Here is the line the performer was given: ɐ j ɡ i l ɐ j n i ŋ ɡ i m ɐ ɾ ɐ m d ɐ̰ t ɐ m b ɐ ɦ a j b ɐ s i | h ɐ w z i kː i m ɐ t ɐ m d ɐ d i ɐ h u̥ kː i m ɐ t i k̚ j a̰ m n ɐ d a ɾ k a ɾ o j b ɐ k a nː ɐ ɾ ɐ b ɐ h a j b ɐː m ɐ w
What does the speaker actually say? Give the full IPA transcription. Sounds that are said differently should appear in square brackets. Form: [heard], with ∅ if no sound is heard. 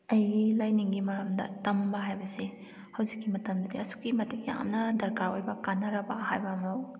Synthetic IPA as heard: ɐ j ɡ i l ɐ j n i ŋ ɡ i m ɐ ɾ ɐ m d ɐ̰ t ɐ m b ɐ ɦ a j b ɐ s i | h ɐ w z i kː i m ɐ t ɐ m d ɐ d i ɐ [s] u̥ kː i m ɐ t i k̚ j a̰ m n ɐ d [ɐ] ɾ k a ɾ o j b ɐ k a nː ɐ ɾ ɐ b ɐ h a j b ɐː m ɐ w